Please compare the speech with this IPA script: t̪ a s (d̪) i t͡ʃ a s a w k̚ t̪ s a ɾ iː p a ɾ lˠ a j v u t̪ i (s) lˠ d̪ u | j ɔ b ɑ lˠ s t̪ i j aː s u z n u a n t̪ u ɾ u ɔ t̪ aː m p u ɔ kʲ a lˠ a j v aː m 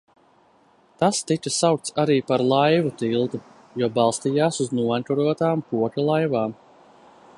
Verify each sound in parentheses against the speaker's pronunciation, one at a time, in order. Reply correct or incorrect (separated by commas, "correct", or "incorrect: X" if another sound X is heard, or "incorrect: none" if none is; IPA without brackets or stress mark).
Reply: incorrect: t̪, incorrect: none